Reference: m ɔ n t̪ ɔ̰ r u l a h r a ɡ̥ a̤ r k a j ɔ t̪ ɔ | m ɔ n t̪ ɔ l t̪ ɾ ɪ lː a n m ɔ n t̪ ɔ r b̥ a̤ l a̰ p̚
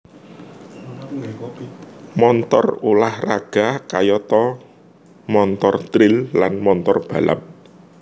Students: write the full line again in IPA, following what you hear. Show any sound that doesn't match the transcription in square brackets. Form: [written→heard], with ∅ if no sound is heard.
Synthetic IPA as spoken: m ɔ n t̪ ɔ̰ r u l a h r a ɡ̥ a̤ [r→∅] k a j ɔ t̪ ɔ | m ɔ n t̪ ɔ [l→r] t̪ ɾ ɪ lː a n m ɔ n t̪ ɔ r b̥ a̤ l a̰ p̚